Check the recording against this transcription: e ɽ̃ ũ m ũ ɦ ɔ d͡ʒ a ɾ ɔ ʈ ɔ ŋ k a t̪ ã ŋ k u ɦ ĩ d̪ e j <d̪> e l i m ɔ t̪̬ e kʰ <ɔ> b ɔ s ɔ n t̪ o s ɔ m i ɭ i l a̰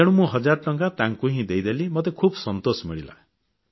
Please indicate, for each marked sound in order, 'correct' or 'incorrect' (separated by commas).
correct, incorrect